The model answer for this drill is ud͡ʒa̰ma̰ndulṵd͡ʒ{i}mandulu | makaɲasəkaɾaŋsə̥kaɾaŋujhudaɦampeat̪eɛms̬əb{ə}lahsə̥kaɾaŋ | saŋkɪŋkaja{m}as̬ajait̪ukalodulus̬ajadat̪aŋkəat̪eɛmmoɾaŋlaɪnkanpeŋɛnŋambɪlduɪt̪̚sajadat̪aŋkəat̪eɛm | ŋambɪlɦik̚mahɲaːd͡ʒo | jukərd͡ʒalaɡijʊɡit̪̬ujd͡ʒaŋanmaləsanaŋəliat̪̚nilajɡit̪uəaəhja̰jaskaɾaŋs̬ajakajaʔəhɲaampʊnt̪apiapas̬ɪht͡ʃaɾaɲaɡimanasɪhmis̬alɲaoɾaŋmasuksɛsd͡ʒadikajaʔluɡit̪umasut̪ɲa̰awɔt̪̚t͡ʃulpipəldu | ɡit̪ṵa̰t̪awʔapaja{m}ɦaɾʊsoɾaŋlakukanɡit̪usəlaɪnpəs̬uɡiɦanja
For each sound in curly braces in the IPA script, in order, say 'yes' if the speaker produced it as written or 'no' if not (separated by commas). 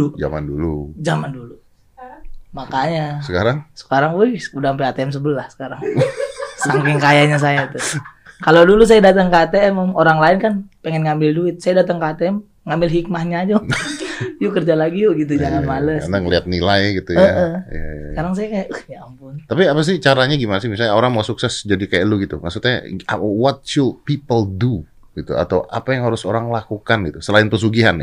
no, yes, no, no